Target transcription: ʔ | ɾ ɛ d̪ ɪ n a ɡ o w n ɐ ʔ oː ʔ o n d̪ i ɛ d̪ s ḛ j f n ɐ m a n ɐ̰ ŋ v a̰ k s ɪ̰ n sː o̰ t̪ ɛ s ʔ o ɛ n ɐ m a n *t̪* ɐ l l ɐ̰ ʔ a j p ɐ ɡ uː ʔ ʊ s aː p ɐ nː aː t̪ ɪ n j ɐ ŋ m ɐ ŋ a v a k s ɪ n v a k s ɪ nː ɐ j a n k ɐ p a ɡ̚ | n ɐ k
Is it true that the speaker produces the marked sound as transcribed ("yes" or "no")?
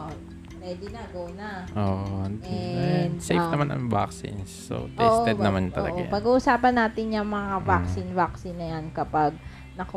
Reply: yes